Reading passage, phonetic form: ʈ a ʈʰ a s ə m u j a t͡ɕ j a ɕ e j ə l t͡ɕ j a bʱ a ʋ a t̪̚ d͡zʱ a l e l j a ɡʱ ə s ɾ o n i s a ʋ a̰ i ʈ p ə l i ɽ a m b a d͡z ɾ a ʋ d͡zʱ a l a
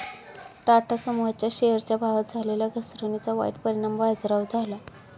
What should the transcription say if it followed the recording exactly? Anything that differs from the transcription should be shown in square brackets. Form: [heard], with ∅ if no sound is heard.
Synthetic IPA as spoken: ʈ a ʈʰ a s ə m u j a t͡ɕ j a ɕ e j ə [ɾ] t͡ɕ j a bʱ a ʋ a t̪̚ d͡zʱ a l e l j a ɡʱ ə s ɾ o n i [t͡s] a ʋ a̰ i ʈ p ə [ɾ] i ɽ a m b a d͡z ɾ a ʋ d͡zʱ a l a